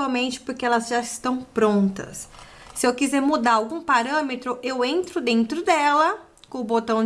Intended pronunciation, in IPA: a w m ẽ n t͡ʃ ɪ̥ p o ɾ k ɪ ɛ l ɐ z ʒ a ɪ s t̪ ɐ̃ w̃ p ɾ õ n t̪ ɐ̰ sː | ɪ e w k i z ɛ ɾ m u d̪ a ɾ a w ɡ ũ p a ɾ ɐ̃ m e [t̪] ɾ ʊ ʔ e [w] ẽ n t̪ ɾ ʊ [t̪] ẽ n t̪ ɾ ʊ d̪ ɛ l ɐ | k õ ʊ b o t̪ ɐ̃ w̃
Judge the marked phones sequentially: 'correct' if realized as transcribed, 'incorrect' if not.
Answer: correct, correct, incorrect

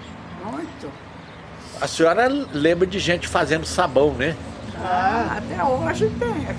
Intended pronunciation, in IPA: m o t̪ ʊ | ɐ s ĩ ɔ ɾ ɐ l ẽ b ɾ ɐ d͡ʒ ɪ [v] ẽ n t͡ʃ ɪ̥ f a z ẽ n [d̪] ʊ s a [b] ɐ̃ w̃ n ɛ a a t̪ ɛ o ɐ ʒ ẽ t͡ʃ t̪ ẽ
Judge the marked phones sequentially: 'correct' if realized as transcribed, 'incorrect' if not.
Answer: incorrect, correct, correct

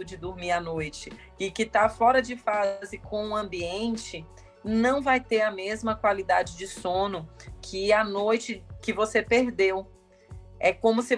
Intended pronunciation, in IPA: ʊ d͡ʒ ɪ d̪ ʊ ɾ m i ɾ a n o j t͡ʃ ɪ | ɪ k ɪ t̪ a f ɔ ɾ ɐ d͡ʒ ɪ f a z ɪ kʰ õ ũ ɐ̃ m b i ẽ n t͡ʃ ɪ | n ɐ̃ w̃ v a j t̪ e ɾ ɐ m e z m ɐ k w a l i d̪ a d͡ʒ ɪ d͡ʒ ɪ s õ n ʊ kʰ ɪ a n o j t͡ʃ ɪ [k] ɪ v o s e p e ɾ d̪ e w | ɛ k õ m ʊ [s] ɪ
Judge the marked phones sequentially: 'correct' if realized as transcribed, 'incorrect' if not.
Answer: correct, correct

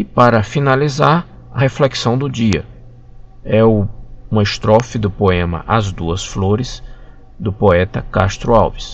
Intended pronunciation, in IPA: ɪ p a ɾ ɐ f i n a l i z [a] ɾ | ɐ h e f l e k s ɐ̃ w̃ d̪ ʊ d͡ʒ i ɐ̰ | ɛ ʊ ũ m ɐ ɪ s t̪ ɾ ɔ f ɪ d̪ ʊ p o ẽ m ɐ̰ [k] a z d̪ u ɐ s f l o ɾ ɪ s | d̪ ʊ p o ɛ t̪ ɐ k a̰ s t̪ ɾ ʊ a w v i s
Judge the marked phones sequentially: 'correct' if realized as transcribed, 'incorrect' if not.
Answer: correct, incorrect

